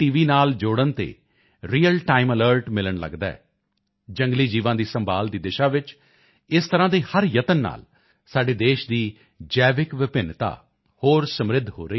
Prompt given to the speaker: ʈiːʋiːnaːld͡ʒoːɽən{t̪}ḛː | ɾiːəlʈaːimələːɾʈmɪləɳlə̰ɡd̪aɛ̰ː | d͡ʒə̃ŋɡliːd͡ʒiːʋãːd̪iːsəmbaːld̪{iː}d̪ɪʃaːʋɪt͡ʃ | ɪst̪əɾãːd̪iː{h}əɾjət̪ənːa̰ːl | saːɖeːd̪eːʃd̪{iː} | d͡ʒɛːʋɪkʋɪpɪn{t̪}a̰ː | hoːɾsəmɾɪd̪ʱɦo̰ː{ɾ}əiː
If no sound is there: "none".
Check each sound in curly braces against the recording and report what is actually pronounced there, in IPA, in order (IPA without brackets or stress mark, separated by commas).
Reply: t̪, iː, h, iː, t̪, ɾ